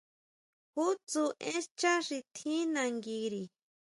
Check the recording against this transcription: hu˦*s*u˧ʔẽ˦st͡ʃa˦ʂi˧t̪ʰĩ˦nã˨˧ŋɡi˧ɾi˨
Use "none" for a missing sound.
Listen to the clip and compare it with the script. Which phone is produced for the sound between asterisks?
t͡s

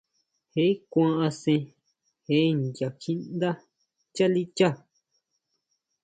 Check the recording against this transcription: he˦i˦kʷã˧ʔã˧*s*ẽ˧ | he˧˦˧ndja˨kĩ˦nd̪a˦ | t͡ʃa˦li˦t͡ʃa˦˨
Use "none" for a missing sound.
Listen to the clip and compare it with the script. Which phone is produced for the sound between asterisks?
s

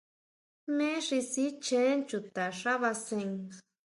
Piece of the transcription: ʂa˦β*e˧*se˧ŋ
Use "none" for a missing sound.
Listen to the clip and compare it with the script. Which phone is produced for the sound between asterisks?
a˧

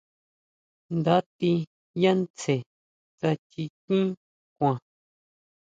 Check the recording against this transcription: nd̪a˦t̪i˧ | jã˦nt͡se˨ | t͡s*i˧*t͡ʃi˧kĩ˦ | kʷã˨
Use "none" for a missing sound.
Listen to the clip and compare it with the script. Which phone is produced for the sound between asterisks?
a˧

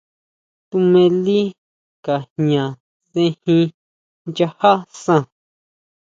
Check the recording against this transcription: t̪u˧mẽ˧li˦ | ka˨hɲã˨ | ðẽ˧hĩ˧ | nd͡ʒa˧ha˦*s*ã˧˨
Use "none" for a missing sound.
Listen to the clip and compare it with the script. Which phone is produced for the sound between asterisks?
s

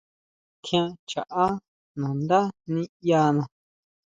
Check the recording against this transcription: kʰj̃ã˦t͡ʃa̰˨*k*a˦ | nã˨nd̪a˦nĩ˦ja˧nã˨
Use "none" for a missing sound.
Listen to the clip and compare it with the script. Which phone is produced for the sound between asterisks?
ʔ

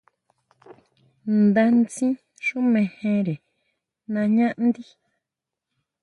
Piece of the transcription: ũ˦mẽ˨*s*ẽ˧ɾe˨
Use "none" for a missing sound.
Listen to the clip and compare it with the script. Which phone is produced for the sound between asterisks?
h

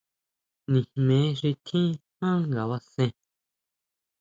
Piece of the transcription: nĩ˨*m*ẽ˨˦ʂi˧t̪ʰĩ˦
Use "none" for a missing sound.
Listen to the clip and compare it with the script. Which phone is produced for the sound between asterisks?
m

